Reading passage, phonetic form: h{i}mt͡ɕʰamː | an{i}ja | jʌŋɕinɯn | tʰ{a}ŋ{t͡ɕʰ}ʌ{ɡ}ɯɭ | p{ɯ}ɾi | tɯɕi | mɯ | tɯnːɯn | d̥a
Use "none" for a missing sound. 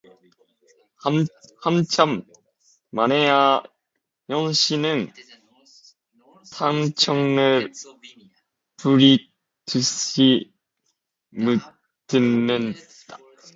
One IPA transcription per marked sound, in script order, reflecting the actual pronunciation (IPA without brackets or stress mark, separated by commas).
a, e, a, t͡ɕʰ, ŋ, u